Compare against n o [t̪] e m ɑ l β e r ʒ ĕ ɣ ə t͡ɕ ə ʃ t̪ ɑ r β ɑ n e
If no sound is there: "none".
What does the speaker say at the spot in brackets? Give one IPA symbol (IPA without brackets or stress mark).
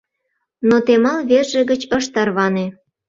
t̪